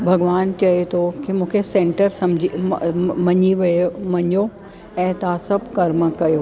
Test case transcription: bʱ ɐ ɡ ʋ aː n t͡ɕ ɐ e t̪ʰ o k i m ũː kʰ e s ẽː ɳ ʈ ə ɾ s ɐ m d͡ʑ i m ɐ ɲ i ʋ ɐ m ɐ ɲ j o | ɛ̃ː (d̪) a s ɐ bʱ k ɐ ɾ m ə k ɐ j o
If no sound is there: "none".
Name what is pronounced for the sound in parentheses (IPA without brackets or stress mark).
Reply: t̪